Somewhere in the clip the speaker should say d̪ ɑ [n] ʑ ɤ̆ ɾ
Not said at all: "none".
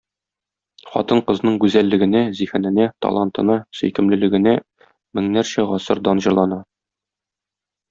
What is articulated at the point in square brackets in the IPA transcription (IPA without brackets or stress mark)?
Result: n